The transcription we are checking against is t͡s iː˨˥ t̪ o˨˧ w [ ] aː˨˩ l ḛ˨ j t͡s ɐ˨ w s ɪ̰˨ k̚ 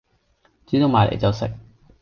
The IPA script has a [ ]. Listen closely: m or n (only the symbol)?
m